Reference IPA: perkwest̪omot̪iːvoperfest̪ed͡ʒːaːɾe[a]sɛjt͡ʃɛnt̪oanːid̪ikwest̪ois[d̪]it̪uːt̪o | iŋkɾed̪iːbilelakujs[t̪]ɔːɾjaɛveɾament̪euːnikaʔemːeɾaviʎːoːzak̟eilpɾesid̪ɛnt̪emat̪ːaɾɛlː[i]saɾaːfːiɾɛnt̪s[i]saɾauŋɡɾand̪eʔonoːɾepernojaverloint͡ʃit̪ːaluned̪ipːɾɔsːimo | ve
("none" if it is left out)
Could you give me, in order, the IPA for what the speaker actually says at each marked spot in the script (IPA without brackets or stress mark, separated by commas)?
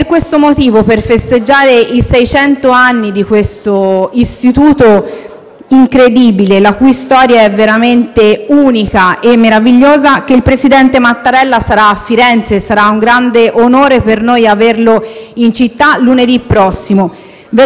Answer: i, t̪, t̪, a, e